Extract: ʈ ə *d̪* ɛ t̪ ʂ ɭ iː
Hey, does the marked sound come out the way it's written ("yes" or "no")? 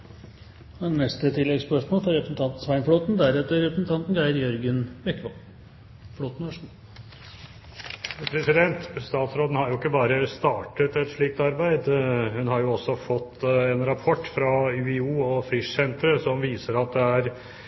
no